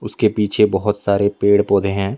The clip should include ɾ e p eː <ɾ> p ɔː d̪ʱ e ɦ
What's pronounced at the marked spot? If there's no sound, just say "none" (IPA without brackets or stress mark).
ɽ